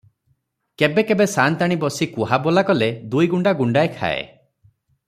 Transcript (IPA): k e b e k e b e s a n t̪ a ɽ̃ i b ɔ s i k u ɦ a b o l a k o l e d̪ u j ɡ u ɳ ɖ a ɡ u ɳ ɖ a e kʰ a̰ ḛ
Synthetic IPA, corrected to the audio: k e b e k e b e s a n t̪ a ɽ̃ i b ɔ s i k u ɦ a b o l a k ɔ l e d̪ u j ɡ u ɳ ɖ a ɡ u ɳ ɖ a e kʰ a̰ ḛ